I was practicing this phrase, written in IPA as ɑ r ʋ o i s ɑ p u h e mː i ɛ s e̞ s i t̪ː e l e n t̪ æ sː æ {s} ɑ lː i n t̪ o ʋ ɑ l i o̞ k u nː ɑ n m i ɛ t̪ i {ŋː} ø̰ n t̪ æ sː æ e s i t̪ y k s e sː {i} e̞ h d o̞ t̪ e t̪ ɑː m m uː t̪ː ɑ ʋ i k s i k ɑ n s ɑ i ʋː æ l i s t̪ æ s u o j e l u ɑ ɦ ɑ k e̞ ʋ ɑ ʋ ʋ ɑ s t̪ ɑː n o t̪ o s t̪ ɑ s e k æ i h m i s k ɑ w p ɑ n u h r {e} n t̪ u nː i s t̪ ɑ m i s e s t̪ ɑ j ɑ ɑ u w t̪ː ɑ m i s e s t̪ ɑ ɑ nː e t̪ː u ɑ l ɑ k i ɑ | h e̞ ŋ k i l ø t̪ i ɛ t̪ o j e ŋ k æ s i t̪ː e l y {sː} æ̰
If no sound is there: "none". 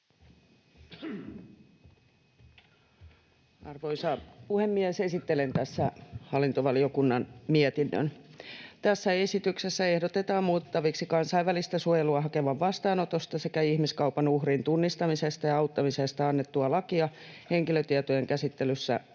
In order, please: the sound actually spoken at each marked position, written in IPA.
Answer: h, nː, æ, i, sː

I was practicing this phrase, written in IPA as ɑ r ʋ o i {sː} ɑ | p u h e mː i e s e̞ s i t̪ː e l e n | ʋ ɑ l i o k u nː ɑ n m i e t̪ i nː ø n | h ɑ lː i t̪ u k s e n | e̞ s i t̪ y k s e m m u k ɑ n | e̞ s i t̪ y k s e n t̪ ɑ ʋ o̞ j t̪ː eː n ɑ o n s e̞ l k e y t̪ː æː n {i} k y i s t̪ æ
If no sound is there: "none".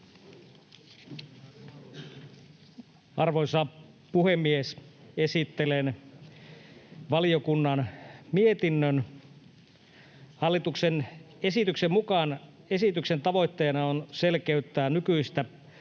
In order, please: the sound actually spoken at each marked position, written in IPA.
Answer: s, y

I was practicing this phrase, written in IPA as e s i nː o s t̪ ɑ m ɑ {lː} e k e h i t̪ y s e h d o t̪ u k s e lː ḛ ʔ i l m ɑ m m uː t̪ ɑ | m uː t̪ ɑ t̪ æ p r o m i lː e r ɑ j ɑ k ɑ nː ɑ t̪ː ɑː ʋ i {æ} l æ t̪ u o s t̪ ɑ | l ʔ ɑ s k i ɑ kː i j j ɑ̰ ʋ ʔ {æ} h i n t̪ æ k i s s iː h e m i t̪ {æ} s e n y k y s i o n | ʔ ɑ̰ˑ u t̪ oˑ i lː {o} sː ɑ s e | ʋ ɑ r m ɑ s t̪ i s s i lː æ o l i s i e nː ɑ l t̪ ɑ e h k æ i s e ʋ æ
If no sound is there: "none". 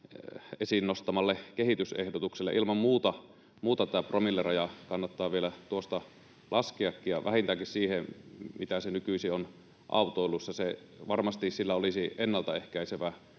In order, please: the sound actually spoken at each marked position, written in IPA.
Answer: lː, e, æ, æ, u

